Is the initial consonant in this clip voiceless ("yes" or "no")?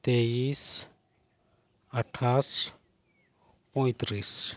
yes